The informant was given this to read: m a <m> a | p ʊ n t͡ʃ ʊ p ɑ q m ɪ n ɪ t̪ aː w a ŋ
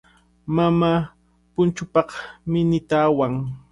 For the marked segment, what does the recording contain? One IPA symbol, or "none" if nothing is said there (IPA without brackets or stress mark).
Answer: m